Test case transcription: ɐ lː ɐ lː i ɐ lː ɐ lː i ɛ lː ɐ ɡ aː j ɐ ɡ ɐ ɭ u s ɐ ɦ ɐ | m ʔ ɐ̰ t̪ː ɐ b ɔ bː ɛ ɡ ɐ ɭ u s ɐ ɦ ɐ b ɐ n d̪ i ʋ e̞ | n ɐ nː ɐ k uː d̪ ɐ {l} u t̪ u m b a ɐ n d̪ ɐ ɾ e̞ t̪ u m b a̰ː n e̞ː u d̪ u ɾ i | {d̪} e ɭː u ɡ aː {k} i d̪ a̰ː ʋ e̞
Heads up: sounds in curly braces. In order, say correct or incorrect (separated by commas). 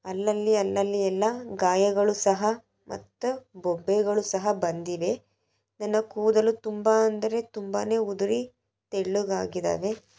correct, incorrect, incorrect